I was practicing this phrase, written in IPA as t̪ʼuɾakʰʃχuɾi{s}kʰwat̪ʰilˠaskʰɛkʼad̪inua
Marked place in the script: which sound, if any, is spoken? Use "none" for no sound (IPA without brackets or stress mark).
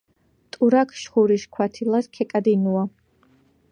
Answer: ʃ